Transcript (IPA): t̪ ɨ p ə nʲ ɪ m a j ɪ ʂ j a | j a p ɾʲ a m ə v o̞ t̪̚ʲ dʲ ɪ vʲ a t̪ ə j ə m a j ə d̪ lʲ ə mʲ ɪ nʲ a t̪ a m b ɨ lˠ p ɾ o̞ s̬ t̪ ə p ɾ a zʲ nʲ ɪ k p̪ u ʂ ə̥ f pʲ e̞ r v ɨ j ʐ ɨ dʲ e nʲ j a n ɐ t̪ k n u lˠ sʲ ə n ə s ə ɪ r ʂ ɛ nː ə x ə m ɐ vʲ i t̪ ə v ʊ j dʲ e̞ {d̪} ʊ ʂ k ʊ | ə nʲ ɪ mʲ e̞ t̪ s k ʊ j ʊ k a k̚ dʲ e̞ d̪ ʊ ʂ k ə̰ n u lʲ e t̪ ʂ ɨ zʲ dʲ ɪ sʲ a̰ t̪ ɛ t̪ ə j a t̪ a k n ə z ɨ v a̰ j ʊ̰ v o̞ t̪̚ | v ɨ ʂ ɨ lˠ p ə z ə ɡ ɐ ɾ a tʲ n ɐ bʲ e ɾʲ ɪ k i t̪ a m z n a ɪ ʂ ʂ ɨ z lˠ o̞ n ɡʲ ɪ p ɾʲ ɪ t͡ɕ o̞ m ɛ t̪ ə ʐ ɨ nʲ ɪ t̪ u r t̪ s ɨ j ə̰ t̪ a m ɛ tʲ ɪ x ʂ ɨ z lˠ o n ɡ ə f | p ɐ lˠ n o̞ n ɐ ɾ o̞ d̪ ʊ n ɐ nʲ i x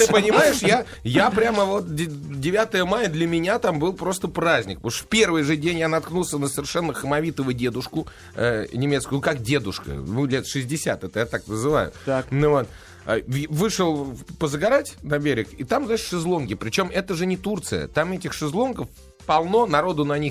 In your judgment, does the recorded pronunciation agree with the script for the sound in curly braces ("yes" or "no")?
yes